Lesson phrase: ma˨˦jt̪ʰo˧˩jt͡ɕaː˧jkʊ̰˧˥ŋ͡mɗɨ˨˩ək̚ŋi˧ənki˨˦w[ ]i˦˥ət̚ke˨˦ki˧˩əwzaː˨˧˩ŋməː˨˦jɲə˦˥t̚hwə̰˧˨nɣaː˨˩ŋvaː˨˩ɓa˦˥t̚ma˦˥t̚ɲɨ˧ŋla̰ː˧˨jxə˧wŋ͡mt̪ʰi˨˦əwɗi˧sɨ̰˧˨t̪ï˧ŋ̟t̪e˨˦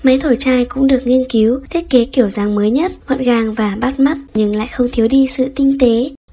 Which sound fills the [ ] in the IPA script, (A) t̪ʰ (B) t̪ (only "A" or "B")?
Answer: A